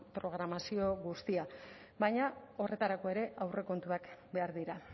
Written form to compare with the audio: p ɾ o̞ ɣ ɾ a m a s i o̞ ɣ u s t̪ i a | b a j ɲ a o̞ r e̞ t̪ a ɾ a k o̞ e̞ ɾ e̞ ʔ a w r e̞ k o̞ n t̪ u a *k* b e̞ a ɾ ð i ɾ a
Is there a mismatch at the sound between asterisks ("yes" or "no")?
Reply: no